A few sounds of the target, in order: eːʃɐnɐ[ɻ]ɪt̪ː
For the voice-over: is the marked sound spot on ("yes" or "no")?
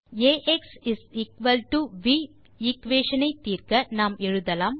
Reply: no